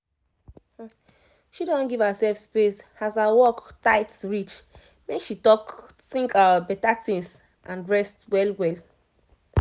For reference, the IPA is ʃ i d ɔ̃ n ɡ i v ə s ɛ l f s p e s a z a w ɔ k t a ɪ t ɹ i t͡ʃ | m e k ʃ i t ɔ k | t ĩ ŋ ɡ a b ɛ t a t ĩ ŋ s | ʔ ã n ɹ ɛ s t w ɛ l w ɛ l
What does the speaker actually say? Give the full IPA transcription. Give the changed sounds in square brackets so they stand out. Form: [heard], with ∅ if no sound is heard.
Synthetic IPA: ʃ i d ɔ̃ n ɡ i v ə s ɛ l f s p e s a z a w ɔ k t a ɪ t ɹ i t͡ʃ | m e k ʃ i t ɔ k | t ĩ ŋ [k] a b ɛ t a t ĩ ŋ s | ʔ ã n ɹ ɛ s t w ɛ l w ɛ l